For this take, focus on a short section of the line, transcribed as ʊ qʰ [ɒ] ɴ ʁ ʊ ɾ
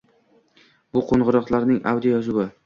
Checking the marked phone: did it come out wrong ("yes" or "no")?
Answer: yes